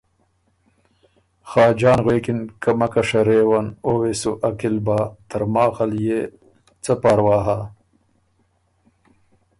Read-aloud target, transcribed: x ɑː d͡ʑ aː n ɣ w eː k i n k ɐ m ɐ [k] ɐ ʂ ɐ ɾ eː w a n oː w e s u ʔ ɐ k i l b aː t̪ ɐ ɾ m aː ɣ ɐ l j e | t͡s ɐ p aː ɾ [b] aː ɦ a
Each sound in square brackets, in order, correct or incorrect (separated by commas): correct, incorrect